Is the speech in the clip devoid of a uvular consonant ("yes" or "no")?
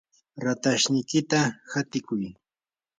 yes